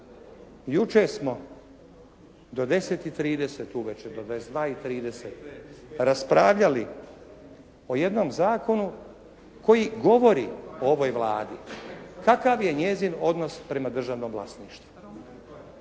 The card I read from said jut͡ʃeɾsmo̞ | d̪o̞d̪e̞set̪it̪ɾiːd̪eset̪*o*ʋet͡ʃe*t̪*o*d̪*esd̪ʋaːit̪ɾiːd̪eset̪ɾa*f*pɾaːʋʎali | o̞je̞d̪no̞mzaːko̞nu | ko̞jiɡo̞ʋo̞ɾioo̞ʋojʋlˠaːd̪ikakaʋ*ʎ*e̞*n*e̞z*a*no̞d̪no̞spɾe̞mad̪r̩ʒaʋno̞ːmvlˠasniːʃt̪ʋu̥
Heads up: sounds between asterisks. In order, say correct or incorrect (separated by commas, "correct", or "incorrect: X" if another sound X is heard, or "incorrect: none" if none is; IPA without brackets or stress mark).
incorrect: u, incorrect: d̪, correct, incorrect: s, incorrect: j, incorrect: ɲ, incorrect: i